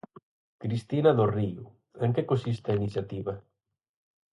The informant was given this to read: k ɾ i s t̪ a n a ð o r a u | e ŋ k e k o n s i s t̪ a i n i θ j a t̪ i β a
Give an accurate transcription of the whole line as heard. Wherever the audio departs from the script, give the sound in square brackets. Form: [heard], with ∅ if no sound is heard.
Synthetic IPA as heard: k ɾ i s t̪ [i] n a ð o r [i] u | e ŋ k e k o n s i s t̪ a i n i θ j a t̪ i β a